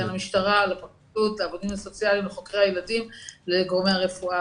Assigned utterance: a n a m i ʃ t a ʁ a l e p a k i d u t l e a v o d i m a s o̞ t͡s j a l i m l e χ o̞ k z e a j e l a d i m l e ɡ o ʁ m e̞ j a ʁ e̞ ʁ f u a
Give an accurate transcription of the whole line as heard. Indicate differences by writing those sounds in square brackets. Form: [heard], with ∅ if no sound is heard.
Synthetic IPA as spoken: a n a m i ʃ t a ʁ a l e p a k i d u t l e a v o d i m a s o̞ t͡s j a l i m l e χ o̞ k [ʁ] e a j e l a d i m l e ɡ o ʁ m e̞ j a ʁ e̞ [∅] f u a